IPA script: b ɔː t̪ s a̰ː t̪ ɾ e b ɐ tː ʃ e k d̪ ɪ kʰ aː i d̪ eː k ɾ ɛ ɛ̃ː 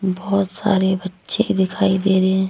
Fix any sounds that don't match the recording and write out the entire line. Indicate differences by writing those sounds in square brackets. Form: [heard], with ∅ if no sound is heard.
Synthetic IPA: b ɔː t̪ s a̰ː [∅] ɾ e b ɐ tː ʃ e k d̪ ɪ kʰ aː i d̪ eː [∅] ɾ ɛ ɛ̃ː